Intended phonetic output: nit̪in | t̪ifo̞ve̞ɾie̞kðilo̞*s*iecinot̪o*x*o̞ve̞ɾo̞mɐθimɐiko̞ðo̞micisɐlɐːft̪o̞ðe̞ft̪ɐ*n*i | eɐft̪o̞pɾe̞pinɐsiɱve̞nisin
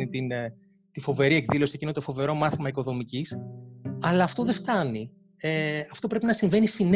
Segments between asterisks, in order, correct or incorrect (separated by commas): correct, incorrect, correct